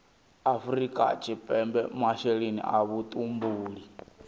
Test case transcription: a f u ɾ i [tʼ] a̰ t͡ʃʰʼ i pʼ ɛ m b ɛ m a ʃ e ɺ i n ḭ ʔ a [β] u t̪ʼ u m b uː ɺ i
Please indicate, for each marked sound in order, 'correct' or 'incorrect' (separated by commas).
incorrect, correct